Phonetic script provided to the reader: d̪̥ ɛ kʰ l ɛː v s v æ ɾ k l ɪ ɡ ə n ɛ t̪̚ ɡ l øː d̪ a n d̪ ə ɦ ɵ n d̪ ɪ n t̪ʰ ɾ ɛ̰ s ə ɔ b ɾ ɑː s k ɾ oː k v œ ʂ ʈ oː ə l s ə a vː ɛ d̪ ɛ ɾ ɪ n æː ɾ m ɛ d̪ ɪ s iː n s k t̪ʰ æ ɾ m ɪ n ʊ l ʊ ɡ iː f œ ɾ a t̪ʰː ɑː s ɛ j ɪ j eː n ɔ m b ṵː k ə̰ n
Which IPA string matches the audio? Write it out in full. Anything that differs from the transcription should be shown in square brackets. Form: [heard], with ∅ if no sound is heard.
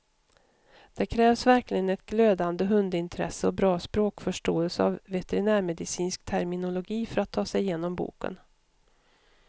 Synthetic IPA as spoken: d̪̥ ɛ kʰ [ɾ] ɛː v s v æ ɾ k l ɪ ɡ ə n ɛ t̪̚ ɡ l øː d̪ a n d̪ ə ɦ ɵ n d̪ ɪ n t̪ʰ ɾ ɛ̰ s ə ɔ b ɾ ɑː s [p] ɾ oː k [f] œ ʂ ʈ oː ə l s ə a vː ɛ [t̪] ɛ ɾ ɪ n æː ɾ m ɛ d̪ ɪ s iː n s k t̪ʰ æ ɾ m ɪ n ʊ l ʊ ɡ iː f œ ɾ a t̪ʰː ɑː s ɛ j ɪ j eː n ɔ m b ṵː k ə̰ n

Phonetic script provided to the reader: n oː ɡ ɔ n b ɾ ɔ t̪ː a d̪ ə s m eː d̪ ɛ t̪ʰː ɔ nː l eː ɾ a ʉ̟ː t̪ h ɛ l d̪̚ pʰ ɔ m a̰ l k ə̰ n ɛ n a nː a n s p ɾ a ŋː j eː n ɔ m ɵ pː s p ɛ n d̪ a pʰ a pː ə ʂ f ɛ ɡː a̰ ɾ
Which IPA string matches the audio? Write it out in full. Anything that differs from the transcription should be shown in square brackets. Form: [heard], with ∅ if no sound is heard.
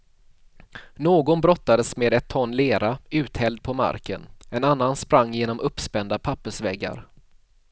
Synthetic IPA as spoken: n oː ɡ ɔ n b ɾ ɔ t̪ː a d̪ ə s m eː d̪ ɛ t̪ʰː ɔ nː l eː ɾ a ʉ̟ː t̪ h ɛ l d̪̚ pʰ ɔ m a̰ [ɾ] k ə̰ n ɛ n a nː a n s p ɾ a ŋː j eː n ɔ m ɵ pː s p ɛ n d̪ a pʰ a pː ə ʂ [v] ɛ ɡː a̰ ɾ

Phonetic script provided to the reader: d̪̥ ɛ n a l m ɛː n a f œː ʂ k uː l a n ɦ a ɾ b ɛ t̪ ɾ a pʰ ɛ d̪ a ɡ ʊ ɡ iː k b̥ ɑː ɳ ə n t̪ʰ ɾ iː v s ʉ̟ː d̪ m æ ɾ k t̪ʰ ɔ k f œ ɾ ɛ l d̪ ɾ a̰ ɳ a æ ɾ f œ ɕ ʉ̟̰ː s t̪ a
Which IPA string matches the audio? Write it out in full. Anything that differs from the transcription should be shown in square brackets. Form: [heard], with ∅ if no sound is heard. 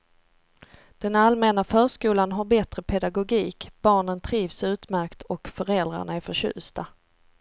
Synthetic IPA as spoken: d̪̥ ɛ n a l m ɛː n a f œː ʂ k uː l a n ɦ a ɾ b ɛ t̪ ɾ [ə] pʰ ɛ d̪ a ɡ ʊ ɡ iː k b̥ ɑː ɳ ə n t̪ʰ ɾ iː v s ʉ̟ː [t̪] m æ ɾ k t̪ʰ ɔ k f œ ɾ ɛ l d̪ ɾ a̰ ɳ a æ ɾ f œ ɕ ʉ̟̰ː s t̪ a

